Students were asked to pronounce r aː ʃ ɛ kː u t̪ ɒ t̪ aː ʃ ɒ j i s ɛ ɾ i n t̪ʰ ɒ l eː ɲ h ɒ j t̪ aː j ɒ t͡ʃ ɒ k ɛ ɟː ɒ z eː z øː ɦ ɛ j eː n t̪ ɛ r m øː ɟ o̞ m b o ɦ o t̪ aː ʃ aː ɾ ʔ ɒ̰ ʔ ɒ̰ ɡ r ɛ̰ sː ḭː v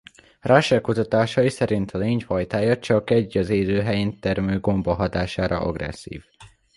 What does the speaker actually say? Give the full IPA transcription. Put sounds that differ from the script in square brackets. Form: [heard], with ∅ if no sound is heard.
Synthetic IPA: r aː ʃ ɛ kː u t̪ ɒ t̪ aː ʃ ɒ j i s ɛ ɾ i n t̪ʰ ɒ l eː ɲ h ɒ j t̪ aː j ɒ t͡ʃ ɒ k ɛ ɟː ɒ z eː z øː ɦ ɛ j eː n t̪ ɛ r m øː [ɡ] o̞ m b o ɦ [ɒ] t̪ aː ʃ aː ɾ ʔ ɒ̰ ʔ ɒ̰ ɡ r ɛ̰ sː ḭː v

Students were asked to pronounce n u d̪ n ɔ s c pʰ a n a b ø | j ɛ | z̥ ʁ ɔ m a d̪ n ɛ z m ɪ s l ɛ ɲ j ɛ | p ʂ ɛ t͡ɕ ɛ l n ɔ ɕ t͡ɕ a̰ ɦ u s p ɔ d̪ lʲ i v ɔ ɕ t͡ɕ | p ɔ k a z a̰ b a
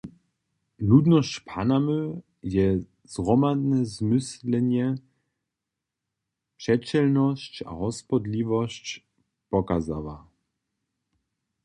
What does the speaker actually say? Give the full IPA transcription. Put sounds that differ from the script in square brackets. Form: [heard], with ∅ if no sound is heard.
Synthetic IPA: n u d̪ n ɔ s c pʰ a n a [m] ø | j ɛ | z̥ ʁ ɔ m a d̪ n ɛ z m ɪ s l ɛ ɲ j ɛ | p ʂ ɛ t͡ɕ ɛ l n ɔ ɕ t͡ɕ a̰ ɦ [ɔ] s p ɔ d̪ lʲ i v ɔ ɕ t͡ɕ | p ɔ k a z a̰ [v] a

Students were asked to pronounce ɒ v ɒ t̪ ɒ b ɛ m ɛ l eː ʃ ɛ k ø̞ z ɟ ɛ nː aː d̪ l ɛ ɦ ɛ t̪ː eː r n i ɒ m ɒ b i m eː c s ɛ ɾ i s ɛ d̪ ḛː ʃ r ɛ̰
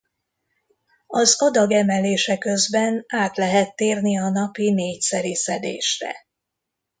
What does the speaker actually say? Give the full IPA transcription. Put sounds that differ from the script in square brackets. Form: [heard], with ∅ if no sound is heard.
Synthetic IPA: ɒ [z] ɒ [d̪] ɒ [ɡ] ɛ m ɛ l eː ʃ ɛ k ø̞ z [b] ɛ [n] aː [t̪] l ɛ ɦ ɛ t̪ː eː r n i ɒ [n] ɒ [p] i [n] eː c s ɛ ɾ i s ɛ d̪ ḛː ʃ r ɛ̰

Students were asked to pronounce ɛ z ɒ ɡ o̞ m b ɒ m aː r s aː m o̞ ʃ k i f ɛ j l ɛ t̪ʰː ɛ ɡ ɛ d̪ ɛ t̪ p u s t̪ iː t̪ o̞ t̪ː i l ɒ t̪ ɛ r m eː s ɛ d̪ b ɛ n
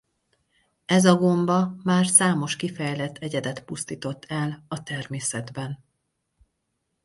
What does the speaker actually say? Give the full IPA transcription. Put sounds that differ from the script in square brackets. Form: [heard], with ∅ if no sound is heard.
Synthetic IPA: ɛ z ɒ ɡ o̞ m b ɒ m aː r s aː m o̞ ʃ k i f ɛ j l ɛ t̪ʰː ɛ [ɟ] ɛ d̪ ɛ t̪ p u s t̪ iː t̪ o̞ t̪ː [ɛ] l ɒ t̪ ɛ r m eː s ɛ d̪ b ɛ n

